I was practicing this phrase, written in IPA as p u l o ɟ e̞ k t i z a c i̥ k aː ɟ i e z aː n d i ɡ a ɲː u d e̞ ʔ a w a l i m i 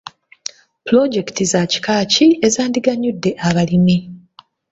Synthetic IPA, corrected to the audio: p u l o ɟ e̞ k t i z a c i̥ k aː c i e z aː n d i ɡ a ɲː u dː e̞ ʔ a β a l i m i